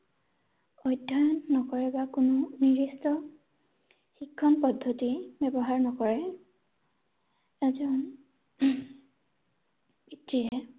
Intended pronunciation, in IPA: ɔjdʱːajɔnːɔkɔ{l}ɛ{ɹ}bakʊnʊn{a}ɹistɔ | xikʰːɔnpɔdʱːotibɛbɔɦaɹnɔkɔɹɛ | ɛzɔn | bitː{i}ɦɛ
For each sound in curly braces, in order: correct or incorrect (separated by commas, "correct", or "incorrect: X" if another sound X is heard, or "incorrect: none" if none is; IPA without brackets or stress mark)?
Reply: incorrect: ɹ, incorrect: none, incorrect: i, correct